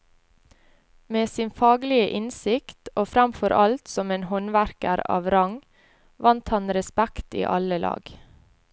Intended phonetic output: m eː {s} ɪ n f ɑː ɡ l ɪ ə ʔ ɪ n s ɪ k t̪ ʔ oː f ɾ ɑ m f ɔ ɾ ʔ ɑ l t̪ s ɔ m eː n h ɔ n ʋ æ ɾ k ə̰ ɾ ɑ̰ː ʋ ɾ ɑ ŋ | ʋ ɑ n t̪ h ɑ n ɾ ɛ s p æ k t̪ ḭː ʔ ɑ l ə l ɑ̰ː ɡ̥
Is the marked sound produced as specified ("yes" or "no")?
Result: yes